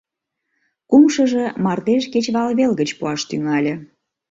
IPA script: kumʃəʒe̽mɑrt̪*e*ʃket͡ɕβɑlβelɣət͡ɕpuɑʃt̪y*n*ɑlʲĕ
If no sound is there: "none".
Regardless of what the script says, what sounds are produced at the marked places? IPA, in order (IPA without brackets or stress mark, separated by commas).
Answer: e, ŋ